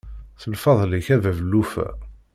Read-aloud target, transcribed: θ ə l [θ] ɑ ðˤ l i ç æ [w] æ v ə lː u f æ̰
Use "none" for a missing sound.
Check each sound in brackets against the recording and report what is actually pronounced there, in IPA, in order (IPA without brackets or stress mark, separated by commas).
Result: f, v